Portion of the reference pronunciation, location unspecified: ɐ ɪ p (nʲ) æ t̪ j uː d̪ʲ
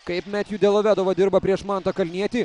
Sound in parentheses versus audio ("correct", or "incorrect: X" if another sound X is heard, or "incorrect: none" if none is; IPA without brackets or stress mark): incorrect: mʲ